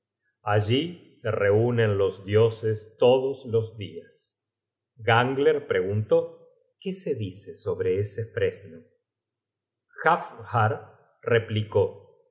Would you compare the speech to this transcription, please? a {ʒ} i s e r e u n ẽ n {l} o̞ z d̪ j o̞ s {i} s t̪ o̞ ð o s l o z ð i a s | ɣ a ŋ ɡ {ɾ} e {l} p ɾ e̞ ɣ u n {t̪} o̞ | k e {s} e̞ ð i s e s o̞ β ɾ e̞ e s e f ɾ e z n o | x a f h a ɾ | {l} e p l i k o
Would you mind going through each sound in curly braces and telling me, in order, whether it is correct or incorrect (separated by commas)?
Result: correct, correct, incorrect, incorrect, incorrect, correct, correct, incorrect